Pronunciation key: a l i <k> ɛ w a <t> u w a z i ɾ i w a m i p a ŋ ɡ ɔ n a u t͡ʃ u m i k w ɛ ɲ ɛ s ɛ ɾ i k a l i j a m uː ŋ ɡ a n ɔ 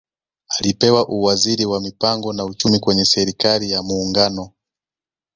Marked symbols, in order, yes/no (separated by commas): no, no